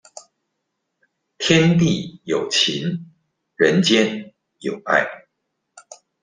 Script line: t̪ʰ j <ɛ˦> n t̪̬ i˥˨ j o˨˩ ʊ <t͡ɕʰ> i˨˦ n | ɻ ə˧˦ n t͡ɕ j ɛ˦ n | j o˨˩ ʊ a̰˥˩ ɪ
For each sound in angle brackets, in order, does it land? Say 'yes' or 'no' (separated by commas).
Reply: yes, yes